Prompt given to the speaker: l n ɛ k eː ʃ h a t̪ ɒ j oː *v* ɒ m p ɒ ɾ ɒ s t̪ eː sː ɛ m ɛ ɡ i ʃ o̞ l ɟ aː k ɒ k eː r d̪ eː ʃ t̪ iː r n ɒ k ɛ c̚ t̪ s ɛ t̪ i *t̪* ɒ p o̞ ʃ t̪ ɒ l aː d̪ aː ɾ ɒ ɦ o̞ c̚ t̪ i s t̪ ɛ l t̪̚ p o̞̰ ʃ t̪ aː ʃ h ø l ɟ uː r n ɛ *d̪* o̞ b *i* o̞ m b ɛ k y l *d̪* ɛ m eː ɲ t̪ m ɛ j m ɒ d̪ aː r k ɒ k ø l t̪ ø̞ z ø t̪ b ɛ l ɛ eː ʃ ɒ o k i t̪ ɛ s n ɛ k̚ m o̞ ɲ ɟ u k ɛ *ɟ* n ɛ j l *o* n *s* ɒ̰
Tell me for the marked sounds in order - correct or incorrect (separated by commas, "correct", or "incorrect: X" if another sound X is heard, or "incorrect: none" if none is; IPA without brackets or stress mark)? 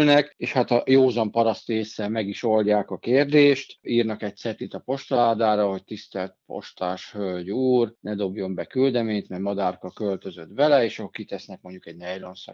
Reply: incorrect: z, correct, correct, incorrect: j, correct, correct, correct, correct